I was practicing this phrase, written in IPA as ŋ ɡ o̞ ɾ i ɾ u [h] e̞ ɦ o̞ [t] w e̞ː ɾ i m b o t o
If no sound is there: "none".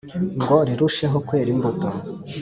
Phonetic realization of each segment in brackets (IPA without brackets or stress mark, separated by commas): ʃ, k